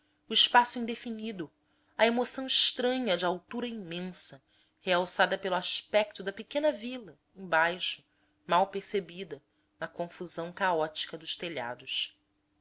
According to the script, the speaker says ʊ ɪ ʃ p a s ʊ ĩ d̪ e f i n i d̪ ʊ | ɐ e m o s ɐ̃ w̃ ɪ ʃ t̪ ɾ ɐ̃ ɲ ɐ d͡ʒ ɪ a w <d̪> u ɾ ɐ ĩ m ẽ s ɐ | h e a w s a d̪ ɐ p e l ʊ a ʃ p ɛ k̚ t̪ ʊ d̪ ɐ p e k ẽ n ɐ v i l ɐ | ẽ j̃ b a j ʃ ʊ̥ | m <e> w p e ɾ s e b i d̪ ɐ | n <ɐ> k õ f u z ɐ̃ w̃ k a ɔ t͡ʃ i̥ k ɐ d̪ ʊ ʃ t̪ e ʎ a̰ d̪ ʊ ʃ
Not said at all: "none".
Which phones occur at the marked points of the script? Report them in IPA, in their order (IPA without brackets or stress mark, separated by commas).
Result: t̪, a, ɐ